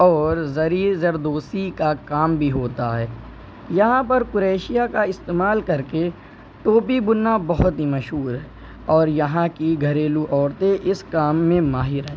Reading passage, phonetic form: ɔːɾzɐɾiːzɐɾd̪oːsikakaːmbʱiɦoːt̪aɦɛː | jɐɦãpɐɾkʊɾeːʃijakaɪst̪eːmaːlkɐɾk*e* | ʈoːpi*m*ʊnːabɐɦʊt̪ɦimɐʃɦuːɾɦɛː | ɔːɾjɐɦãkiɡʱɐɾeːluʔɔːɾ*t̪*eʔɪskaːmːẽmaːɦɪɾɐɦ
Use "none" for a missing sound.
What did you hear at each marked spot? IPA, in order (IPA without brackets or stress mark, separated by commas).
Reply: e, b, t̪